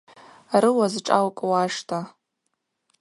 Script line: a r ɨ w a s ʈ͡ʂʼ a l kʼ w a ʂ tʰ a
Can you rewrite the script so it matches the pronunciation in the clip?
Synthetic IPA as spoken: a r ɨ w a z ʈ͡ʂʼ a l kʼ w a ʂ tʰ a